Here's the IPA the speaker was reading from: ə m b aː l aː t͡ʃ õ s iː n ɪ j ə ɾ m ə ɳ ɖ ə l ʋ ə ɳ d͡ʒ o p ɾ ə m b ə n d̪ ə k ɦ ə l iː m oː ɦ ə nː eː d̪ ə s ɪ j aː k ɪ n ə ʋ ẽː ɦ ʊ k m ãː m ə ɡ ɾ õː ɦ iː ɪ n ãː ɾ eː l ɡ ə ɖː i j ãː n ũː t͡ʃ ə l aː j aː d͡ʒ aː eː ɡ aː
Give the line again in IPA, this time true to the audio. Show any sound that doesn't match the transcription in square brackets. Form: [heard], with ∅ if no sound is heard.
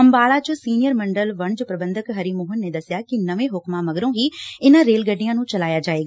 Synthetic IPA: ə m b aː l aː t͡ʃ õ s iː n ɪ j ə ɾ m ə ɳ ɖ ə l ʋ ə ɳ d͡ʒ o p ɾ ə [∅] b ə n d̪ ə k ɦ ə [ɾ] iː m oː ɦ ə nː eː d̪ ə s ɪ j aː k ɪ n ə ʋ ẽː ɦ ʊ k m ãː m ə ɡ ɾ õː ɦ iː ɪ n ãː ɾ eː l ɡ ə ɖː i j ãː n ũː t͡ʃ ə l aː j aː d͡ʒ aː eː ɡ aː